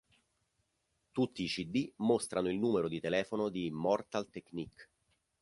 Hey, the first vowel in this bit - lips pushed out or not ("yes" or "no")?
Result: yes